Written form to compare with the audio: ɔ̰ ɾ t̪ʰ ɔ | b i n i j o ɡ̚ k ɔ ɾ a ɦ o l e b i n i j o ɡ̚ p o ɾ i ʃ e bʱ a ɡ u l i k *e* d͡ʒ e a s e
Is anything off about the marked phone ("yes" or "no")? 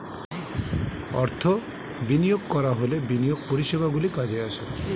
yes